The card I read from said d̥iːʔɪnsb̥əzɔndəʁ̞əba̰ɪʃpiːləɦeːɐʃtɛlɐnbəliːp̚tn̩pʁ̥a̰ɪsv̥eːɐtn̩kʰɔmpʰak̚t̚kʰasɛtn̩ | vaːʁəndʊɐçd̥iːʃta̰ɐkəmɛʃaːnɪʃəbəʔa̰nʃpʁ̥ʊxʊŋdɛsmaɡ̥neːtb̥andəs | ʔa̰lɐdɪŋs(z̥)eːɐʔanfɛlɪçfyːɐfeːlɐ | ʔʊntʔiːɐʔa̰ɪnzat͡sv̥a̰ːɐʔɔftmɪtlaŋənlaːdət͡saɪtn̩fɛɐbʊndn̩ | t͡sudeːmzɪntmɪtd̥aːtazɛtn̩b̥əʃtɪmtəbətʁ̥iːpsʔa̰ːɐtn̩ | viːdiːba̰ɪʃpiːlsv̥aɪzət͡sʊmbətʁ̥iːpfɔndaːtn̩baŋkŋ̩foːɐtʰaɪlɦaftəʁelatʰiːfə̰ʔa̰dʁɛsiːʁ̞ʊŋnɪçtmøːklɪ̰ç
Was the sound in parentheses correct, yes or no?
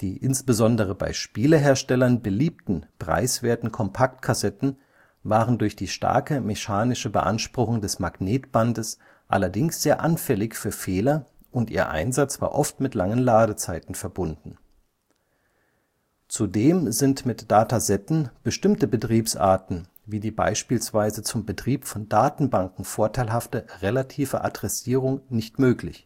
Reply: yes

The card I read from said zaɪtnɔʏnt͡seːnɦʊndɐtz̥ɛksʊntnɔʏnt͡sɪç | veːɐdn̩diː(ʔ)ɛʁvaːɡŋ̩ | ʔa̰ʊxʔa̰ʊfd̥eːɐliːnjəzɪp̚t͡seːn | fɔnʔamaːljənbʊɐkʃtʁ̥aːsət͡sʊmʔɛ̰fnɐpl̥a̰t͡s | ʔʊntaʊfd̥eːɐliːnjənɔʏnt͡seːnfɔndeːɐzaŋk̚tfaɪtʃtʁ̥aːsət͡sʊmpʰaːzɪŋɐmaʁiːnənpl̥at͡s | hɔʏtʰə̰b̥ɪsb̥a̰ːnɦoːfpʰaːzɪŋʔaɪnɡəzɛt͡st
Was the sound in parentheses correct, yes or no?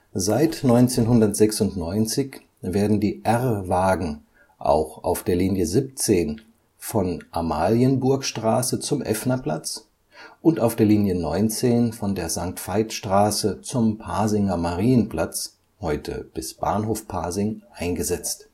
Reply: yes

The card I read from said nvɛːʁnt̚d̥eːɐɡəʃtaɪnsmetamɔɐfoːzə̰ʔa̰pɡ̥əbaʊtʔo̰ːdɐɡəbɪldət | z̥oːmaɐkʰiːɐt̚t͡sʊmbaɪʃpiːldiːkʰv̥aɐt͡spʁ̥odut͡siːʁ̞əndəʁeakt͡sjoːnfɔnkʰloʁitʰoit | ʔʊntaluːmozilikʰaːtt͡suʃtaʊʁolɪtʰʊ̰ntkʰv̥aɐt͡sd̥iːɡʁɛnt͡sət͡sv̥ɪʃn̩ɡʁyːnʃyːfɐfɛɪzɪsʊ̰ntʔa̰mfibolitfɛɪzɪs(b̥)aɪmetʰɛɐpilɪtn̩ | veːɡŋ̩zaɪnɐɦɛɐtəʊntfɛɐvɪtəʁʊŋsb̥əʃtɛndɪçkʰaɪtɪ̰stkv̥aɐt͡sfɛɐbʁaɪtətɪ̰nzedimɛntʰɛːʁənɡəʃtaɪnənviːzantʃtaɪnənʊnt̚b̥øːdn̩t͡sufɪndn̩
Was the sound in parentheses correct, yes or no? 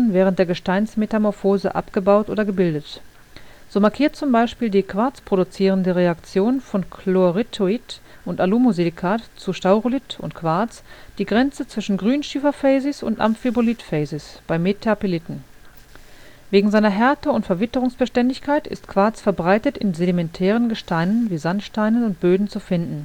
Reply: yes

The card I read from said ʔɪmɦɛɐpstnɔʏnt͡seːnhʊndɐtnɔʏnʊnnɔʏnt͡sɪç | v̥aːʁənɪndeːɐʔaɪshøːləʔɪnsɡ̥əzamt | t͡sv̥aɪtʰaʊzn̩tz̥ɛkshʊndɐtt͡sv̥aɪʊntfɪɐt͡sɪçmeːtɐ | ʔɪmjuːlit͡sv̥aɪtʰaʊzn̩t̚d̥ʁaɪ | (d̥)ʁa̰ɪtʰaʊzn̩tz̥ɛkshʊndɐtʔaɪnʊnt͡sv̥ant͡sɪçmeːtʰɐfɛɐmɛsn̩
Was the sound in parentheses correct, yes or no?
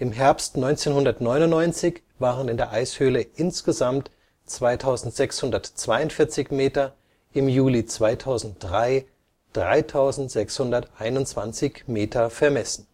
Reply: yes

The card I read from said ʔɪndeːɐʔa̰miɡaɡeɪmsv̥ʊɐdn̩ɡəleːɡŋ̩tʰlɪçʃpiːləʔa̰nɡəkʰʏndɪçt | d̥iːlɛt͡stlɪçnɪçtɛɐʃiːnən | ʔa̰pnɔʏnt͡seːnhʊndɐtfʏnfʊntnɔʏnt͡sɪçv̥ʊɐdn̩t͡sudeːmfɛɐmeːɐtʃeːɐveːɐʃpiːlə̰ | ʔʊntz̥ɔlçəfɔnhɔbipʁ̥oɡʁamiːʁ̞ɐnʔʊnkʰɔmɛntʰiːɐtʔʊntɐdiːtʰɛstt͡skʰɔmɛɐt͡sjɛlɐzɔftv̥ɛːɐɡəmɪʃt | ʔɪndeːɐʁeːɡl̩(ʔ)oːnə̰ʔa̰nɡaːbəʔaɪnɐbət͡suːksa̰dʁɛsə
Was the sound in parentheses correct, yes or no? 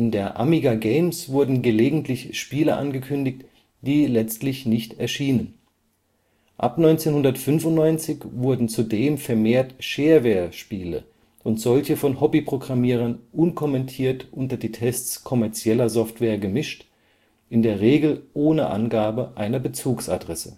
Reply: yes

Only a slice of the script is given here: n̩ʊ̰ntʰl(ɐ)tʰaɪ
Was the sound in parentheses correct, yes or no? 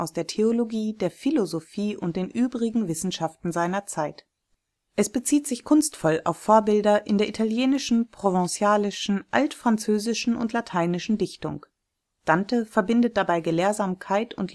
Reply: no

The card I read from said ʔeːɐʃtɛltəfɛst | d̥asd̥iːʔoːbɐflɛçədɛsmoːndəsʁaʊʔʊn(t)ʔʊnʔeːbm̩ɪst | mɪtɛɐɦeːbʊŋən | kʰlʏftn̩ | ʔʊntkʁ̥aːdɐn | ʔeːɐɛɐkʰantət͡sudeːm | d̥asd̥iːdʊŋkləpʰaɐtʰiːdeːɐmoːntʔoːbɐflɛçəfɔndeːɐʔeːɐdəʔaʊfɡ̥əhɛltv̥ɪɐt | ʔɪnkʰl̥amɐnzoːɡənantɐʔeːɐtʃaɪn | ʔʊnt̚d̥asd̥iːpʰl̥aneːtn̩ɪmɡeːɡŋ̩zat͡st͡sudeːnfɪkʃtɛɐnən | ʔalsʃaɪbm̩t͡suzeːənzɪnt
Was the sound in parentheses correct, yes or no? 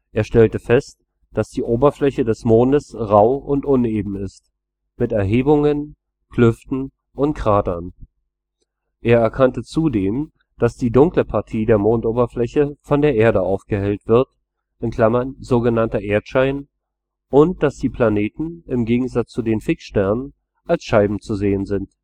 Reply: yes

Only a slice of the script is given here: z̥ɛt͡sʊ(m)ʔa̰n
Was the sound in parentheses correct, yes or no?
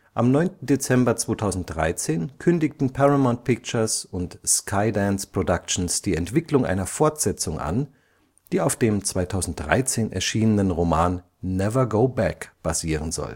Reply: no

